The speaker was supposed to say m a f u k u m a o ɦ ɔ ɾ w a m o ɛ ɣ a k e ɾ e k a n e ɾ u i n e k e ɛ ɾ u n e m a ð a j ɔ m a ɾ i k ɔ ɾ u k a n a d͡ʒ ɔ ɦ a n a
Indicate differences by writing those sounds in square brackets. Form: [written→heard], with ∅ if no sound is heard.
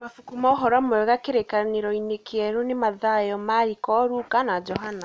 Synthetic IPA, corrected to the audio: m a f u k u m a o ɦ ɔ ɾ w a m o ɛ ɣ a k e ɾ e k a n e ɾ [u→ɔ] i n e k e ɛ ɾ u n e m a ð a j ɔ m a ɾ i k ɔ ɾ u k a n a d͡ʒ ɔ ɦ a n a